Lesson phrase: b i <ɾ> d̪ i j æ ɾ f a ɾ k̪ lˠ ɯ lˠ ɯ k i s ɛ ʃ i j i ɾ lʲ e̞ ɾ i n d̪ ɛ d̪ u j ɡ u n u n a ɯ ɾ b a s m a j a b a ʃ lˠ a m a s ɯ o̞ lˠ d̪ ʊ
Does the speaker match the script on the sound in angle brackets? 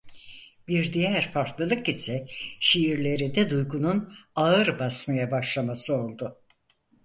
yes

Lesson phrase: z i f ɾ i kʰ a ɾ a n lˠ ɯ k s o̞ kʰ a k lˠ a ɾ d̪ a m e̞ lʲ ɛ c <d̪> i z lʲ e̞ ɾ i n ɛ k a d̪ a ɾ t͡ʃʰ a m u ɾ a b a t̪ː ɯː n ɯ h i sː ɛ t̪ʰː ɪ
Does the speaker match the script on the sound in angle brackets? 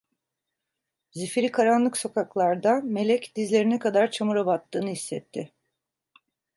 yes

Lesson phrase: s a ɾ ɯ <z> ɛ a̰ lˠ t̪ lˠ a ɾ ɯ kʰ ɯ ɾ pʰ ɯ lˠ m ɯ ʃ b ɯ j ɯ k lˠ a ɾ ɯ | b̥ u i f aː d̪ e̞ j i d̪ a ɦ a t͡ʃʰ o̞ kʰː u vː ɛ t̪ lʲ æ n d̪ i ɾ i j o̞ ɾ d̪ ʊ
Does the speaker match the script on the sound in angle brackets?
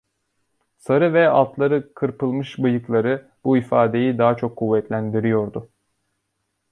no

